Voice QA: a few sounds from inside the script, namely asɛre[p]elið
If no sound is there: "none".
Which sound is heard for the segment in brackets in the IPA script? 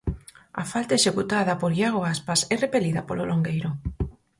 p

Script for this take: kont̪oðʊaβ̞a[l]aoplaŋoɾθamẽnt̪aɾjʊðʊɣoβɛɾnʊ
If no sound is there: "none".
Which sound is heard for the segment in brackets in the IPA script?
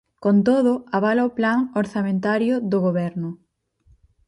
l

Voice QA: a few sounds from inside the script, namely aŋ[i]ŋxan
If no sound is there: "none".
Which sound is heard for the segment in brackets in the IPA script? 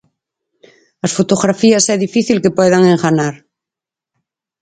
e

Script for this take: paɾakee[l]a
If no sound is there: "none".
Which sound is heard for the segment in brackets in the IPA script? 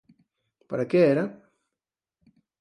ɾ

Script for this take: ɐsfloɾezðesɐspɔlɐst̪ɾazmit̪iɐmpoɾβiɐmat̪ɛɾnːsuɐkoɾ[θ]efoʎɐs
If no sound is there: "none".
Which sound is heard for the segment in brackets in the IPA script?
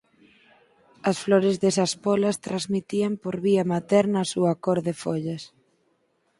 ð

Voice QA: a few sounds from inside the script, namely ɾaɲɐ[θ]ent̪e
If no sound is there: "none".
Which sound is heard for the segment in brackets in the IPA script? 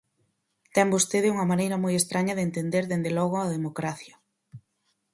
ð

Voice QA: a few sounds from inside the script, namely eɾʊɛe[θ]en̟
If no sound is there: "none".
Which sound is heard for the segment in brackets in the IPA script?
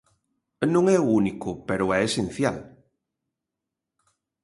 s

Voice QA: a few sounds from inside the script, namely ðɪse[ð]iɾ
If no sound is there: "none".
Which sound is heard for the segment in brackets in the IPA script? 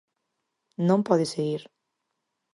ɣ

